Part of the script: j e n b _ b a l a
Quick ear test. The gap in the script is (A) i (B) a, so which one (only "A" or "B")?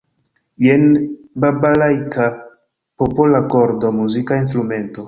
B